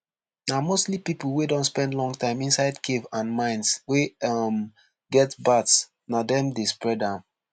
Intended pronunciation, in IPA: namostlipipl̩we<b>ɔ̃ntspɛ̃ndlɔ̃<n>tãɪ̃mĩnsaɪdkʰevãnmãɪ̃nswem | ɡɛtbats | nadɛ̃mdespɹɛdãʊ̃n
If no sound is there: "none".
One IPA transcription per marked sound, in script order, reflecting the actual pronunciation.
d, ŋ

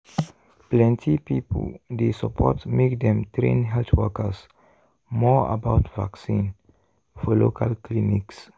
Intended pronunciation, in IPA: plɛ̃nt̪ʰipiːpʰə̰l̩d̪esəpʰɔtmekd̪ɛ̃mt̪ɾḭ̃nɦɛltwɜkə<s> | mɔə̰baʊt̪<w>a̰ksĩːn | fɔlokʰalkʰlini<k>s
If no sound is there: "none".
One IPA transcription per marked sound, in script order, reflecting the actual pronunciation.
s, v, k

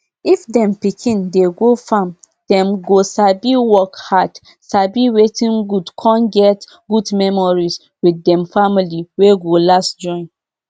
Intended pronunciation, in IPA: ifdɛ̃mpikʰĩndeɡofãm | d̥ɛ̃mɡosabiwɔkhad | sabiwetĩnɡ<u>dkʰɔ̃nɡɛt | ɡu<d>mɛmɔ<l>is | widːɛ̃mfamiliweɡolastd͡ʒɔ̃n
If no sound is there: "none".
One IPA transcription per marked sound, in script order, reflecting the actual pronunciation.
u, d, ɹ

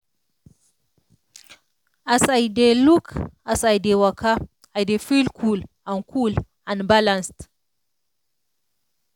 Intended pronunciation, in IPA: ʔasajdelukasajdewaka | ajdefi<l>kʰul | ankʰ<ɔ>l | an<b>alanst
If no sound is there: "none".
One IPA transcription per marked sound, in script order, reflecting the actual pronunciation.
l, u, b

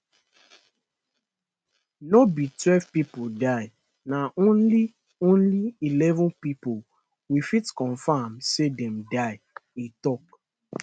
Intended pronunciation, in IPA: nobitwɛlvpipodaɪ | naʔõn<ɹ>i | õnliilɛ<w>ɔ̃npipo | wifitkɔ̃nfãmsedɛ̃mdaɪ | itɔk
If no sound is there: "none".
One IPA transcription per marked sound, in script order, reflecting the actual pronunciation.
l, v

